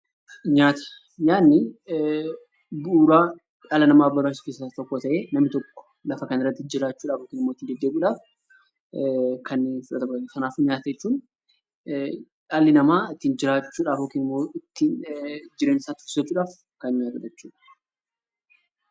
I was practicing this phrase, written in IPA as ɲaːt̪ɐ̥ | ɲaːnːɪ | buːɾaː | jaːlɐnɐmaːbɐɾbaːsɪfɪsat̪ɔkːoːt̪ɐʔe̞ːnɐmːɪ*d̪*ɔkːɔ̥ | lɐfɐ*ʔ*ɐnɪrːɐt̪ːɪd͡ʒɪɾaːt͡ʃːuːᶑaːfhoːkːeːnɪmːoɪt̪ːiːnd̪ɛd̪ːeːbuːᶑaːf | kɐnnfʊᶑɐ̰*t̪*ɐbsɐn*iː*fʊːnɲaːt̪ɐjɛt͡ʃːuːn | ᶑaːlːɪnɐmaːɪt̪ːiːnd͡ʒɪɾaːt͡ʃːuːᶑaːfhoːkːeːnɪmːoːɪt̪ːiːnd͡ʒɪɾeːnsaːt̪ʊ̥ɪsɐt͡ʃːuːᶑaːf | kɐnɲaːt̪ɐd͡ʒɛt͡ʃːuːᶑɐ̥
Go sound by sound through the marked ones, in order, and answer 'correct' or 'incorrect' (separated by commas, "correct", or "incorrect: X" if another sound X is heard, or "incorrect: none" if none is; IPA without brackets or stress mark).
incorrect: t̪, incorrect: k, correct, incorrect: aː